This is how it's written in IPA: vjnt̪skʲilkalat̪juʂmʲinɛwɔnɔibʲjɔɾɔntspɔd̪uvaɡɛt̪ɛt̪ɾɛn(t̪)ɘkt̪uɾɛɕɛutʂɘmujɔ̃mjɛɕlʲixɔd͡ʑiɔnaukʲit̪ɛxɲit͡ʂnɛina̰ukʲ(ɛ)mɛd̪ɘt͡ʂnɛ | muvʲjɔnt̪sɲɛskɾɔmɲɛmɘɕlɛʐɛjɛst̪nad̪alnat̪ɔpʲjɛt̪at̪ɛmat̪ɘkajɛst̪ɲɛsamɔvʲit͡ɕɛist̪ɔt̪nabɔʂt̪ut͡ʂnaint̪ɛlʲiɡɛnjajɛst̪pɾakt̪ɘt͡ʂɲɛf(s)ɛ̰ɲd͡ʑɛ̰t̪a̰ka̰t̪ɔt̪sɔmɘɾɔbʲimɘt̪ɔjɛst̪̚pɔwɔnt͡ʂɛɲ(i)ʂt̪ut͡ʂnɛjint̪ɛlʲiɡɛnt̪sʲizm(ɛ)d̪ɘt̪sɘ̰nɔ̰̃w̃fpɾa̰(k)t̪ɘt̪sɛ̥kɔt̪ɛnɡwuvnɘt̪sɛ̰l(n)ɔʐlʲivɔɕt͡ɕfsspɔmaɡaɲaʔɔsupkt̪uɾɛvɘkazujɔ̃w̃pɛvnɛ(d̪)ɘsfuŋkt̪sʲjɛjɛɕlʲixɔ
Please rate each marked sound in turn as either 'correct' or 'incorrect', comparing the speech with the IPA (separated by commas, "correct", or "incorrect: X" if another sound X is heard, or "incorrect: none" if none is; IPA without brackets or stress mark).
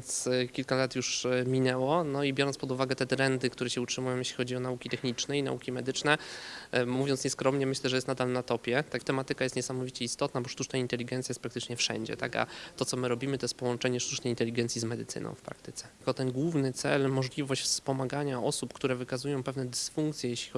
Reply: incorrect: d̪, incorrect: i, incorrect: ʂ, incorrect: ɛ, correct, correct, incorrect: m, correct